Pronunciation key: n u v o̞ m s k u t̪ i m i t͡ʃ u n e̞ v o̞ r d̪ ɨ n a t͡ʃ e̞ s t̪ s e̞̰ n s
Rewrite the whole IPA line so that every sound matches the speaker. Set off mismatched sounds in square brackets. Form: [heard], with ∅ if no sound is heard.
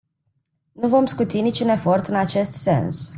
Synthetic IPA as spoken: n u v o̞ m s k u t̪ i [n] i t͡ʃ u n e̞ [f] o̞ r [t̪] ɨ n a t͡ʃ e̞ s t̪ s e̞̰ n s